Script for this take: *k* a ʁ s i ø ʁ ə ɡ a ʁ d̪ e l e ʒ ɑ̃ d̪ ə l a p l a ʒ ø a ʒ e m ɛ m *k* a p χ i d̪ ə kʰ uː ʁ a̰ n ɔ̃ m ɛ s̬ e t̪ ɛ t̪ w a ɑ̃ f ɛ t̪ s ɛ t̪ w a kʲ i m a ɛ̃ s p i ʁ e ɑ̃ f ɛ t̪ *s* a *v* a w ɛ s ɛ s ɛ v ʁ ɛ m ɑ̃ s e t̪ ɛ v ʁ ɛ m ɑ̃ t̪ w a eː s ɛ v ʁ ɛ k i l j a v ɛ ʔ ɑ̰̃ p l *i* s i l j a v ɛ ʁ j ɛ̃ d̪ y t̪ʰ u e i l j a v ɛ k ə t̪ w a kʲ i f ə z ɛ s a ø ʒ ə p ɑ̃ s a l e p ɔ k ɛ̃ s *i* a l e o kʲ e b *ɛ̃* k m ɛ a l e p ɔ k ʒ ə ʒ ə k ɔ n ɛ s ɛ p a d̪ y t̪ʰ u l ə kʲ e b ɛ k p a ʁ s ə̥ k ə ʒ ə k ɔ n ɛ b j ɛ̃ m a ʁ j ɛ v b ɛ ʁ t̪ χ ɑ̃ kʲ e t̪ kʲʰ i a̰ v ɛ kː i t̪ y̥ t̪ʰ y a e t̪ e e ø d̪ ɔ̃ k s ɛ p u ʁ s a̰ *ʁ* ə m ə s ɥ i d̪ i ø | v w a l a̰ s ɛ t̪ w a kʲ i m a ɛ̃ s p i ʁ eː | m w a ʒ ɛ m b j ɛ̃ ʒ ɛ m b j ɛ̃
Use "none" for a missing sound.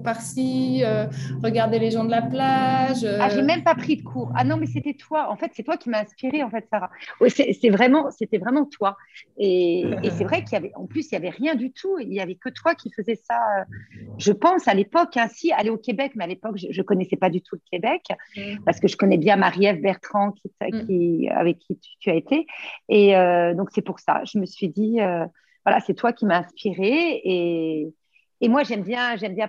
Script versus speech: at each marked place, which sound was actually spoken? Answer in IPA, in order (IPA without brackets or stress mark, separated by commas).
p, p, s, ʁ, y, i, ɛ, ʒ